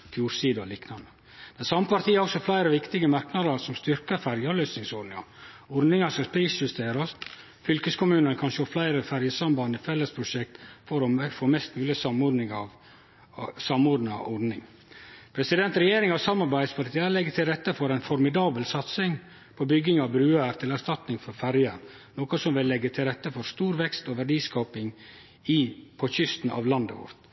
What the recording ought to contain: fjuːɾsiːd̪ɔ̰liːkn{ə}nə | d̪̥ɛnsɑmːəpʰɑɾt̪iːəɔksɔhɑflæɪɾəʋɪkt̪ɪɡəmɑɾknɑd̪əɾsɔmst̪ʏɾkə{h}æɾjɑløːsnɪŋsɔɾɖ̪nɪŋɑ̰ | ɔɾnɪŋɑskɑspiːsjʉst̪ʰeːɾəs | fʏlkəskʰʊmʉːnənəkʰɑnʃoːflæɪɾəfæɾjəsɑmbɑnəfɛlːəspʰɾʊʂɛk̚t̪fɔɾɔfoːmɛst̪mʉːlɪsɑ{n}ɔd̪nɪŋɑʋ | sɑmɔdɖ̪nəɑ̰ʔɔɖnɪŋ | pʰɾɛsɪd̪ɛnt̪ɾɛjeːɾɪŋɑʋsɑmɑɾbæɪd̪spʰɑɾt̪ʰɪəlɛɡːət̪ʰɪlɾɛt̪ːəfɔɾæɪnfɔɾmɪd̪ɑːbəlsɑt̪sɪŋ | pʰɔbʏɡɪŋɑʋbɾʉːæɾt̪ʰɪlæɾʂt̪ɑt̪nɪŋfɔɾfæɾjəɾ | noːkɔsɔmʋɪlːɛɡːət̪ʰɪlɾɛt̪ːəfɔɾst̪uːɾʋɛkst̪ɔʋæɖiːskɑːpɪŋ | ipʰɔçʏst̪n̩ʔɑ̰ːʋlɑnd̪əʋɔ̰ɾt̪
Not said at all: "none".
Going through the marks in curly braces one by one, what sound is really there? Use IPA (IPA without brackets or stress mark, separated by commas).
ɑ, f, m